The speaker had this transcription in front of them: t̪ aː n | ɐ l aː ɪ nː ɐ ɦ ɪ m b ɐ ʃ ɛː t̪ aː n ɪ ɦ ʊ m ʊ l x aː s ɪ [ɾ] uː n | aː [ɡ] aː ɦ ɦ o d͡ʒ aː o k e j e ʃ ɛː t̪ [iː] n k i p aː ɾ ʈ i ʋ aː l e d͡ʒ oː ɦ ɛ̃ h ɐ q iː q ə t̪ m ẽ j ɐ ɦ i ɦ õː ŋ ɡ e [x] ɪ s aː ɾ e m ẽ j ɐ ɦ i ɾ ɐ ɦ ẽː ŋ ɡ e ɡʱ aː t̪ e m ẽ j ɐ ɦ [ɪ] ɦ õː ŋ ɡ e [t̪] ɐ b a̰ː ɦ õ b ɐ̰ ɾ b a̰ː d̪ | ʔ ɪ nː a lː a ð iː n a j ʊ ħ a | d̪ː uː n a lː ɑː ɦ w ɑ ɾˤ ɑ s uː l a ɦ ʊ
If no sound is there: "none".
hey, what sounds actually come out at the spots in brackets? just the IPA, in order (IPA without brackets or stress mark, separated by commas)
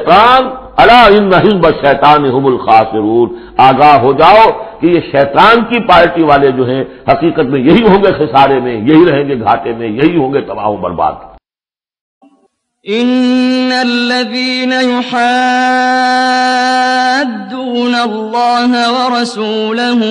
ɾ, ɡ, aː, x, i, t̪